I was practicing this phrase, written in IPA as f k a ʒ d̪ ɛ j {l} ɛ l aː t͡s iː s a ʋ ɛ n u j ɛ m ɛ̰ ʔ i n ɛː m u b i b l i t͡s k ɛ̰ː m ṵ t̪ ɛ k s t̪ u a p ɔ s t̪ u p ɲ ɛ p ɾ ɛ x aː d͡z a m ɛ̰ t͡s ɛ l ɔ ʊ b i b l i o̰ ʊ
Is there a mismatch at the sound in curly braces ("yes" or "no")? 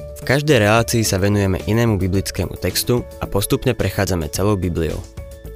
yes